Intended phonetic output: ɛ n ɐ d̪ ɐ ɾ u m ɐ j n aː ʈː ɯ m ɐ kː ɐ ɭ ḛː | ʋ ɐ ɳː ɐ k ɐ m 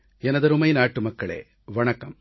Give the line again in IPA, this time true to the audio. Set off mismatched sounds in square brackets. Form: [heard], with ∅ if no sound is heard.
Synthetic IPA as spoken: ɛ n ɐ d̪ ɐ ɾ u m ɐ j n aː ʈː [u] m ɐ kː ɐ ɭ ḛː | ʋ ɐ [ɳ] ɐ k ɐ m